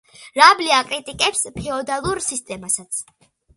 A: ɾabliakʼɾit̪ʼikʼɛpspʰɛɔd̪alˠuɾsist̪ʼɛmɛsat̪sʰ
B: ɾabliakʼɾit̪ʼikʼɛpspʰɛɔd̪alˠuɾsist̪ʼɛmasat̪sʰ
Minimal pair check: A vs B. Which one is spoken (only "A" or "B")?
B